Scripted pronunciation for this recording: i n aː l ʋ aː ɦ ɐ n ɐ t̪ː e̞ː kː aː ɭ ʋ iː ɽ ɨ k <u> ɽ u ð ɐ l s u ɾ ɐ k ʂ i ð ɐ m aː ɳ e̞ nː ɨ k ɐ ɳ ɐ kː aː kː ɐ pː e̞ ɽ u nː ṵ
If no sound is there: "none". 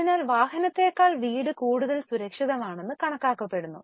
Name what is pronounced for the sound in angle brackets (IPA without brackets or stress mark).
uː